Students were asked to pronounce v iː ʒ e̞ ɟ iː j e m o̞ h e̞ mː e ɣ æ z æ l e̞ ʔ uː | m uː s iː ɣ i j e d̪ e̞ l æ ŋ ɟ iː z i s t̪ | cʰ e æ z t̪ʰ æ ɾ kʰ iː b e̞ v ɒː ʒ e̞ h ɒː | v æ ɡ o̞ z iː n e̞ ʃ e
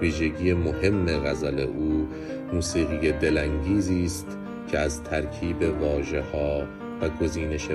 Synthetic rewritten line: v iː ʒ e̞ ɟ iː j e m o̞ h e̞ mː e ɣ æ z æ l e̞ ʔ uː | m uː s iː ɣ i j e d̪ e̞ l æ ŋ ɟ iː z iː s t̪ | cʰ e æ z t̪ʰ æ ɾ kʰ iː b e̞ v ɒː ʒ e̞ h ɒː | v æ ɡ o̞ z iː n e̞ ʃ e